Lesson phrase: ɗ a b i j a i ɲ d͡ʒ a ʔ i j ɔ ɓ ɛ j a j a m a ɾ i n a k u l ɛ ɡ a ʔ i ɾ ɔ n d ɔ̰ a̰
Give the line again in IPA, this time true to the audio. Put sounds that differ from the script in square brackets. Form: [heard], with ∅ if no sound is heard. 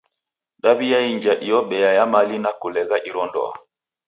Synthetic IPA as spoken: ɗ a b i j a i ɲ d͡ʒ a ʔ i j ɔ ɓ ɛ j a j a m a [l] i n a k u l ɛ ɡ a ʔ i ɾ ɔ n d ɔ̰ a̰